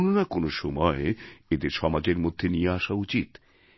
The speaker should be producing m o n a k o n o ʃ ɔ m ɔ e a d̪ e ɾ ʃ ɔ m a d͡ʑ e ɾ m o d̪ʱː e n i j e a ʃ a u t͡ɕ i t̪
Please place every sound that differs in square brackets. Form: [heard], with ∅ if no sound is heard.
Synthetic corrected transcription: [n] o n a k o n o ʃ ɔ m ɔ e [e] d̪ e ɾ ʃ ɔ m a d͡ʑ e ɾ m o d̪ʱː e n i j e a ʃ a u t͡ɕ i t̪